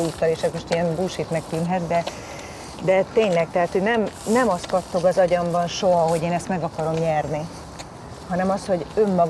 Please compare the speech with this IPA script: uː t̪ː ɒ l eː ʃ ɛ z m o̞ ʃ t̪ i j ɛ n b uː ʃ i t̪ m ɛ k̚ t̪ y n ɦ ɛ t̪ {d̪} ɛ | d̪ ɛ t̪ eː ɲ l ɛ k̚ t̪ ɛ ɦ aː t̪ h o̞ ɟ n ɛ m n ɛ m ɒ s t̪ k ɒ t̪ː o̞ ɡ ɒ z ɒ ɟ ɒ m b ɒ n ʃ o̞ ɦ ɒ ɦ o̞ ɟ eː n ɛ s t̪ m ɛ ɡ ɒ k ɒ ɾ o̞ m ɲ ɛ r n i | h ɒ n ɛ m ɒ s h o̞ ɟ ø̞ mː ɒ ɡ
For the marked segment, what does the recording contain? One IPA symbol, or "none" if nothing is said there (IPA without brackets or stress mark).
d̪